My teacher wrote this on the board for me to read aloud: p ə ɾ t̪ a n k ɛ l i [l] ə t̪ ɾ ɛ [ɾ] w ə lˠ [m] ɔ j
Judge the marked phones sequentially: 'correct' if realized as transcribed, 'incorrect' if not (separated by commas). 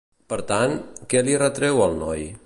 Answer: incorrect, incorrect, incorrect